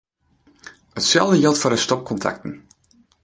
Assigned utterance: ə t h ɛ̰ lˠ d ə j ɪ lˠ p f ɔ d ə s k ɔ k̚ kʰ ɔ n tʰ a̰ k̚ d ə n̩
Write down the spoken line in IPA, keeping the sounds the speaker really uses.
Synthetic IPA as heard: ə t s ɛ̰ lˠ d ə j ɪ lˠ t f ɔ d ə s t ɔ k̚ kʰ ɔ n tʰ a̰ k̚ t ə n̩